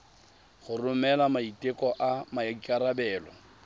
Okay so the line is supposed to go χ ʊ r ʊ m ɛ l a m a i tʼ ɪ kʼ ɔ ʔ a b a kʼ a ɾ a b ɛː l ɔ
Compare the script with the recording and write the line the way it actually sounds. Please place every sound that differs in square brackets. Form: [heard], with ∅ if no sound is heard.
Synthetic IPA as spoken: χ ʊ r ʊ m ɛ l a m a i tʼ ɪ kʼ ɔ ʔ a [m] a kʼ a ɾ a b ɛː l ɔ